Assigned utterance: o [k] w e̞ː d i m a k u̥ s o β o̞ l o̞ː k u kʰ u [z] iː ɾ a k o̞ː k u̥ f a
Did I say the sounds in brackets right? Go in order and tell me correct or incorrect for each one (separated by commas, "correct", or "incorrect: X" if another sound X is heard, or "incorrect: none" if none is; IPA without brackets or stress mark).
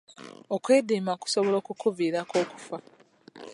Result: correct, incorrect: v